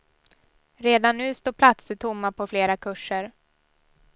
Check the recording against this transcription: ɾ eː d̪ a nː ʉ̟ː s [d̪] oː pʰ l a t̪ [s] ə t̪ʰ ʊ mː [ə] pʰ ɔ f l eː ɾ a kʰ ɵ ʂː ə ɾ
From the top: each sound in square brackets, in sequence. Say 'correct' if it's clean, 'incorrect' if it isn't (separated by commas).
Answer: incorrect, correct, incorrect